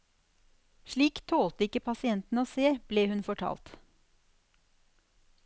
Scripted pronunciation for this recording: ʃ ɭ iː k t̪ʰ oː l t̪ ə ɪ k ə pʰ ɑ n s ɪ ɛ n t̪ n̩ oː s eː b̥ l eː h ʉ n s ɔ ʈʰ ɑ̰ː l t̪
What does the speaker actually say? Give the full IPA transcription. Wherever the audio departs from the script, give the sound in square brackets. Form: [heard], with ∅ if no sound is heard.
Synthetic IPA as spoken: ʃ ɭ iː k t̪ʰ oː l t̪ ə ɪ k ə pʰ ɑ [∅] s ɪ ɛ n t̪ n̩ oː s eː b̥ l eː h ʉ n [f] ɔ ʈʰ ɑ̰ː l t̪